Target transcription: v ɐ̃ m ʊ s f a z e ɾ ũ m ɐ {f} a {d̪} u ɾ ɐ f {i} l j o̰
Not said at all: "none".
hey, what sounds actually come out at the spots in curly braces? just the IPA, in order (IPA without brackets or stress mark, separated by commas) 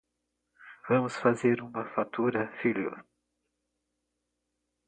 f, t̪, i